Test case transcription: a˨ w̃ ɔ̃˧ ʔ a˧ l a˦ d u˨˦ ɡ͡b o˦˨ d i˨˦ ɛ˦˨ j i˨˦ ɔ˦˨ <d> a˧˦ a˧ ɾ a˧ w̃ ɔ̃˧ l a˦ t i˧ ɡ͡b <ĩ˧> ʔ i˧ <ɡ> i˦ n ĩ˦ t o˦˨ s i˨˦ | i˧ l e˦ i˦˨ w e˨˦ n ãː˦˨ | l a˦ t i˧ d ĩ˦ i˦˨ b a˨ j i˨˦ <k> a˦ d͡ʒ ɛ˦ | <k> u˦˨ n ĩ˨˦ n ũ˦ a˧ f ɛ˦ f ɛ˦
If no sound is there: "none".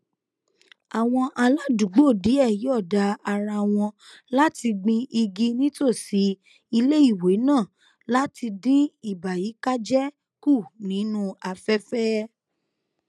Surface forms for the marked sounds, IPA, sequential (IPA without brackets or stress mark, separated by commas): d, ĩ˧, ɡ, k, k